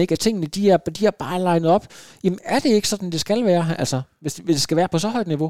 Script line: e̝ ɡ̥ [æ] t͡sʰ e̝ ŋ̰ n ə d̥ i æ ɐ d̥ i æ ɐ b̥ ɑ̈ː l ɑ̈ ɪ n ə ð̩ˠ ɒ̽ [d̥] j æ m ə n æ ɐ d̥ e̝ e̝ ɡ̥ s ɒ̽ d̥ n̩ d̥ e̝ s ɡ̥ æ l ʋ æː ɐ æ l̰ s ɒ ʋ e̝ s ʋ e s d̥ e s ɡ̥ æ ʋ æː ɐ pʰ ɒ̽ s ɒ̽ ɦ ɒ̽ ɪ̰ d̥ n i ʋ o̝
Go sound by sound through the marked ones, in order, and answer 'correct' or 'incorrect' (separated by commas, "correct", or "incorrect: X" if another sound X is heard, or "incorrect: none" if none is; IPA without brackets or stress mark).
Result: correct, incorrect: b̥